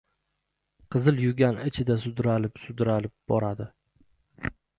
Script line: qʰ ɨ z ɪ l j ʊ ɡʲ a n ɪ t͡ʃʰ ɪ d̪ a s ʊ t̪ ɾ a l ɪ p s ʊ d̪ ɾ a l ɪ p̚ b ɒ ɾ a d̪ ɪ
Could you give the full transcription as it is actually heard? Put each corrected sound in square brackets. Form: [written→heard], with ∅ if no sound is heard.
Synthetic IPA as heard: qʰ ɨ z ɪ l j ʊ ɡʲ a n ɪ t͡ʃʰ ɪ d̪ a s ʊ [t̪→d̪] ɾ a l ɪ p s ʊ d̪ ɾ a l ɪ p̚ b ɒ ɾ a d̪ ɪ

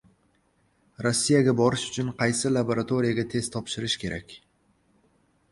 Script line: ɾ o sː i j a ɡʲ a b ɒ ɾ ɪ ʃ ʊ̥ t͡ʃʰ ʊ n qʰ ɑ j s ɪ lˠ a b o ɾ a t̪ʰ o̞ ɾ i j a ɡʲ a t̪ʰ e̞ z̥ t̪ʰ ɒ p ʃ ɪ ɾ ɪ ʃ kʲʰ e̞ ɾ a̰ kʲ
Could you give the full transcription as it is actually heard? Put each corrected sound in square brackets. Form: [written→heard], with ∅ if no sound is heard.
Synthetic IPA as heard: ɾ o sː i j a ɡʲ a b ɒ ɾ ɪ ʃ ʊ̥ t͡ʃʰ ʊ n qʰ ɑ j s ɪ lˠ a b o ɾ a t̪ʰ o̞ ɾ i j a ɡʲ a t̪ʰ e̞ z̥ t̪ʰ ɒ p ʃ ɪ ɾ ɪ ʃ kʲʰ e̞ ɾ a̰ kʲ

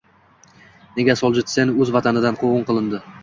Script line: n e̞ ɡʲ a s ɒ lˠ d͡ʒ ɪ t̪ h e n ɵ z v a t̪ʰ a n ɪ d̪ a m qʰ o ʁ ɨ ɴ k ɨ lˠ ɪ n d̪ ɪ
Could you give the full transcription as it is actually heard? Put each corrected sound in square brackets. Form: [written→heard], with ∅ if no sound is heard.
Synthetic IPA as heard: n e̞ ɡʲ a s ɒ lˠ d͡ʒ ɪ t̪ [h→s] e n ɵ z v a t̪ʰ a n ɪ d̪ a [m→n] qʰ o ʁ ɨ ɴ [k→q] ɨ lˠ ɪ n d̪ ɪ

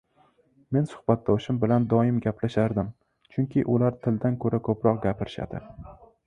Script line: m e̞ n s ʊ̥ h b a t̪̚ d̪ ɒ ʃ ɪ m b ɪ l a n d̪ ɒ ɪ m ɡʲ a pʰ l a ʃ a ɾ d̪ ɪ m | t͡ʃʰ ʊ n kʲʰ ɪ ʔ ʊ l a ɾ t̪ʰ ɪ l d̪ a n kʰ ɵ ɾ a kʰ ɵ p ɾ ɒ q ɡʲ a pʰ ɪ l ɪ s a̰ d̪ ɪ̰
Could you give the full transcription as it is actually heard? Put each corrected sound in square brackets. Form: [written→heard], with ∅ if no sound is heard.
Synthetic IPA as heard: m e̞ n s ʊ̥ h b a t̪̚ d̪ ɒ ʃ ɪ m b ɪ l a n d̪ ɒ ɪ m ɡʲ a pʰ l a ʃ a ɾ d̪ ɪ m | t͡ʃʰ ʊ [n→ŋ] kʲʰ ɪ ʔ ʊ l a ɾ t̪ʰ ɪ l d̪ a n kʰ ɵ ɾ a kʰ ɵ p ɾ ɒ q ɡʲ a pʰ ɪ [l→ɾ] ɪ [s→ʃ] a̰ d̪ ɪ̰

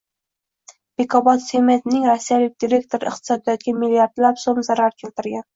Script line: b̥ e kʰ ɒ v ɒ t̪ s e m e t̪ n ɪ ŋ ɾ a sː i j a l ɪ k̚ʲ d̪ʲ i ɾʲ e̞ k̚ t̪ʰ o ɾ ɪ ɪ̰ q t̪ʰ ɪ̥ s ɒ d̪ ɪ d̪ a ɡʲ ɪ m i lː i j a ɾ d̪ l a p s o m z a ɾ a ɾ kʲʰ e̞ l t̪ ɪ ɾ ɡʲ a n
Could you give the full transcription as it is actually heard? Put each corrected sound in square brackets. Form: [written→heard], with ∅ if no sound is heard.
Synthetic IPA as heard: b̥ e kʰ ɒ [v→b] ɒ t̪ s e m e t̪ n ɪ ŋ ɾ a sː i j a l ɪ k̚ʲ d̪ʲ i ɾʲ e̞ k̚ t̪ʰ o ɾ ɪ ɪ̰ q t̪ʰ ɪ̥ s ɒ d̪ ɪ d̪ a ɡʲ ɪ m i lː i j a ɾ d̪ l a p s o m z a ɾ a ɾ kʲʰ e̞ l t̪ ɪ ɾ ɡʲ a n

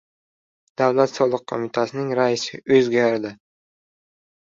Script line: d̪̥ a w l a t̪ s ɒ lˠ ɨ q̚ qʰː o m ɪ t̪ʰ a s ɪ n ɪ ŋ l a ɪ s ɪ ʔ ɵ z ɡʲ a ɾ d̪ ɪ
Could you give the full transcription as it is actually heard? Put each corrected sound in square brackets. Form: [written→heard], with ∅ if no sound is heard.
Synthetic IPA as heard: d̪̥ a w l a t̪ s ɒ lˠ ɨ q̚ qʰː o m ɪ t̪ʰ a s ɪ n ɪ ŋ [l→ɾ] a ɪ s ɪ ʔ ɵ z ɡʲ a ɾ d̪ ɪ

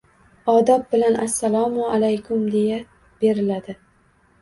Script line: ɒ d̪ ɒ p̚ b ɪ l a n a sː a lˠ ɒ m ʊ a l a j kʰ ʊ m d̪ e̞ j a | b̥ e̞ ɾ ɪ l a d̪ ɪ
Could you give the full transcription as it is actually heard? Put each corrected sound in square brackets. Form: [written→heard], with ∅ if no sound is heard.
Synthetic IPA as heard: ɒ d̪ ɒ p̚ b ɪ l a n a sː a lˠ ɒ m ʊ a l a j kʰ ʊ m d̪ e̞ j a | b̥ e̞ ɾ ɪ l a d̪ ɪ

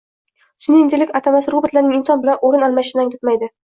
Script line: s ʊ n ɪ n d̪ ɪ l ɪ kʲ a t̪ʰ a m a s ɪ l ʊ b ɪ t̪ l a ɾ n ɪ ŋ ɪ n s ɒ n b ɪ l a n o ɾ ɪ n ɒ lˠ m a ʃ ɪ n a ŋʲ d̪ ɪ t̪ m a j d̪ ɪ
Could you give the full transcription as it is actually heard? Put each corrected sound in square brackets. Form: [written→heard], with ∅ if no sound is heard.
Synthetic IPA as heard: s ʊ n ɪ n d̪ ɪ l ɪ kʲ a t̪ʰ a m a s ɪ [l→ɾ] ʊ b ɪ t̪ l a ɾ n ɪ ŋ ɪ n s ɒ n b ɪ l a n o ɾ ɪ n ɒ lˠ m a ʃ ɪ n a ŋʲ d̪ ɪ t̪ m a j d̪ ɪ

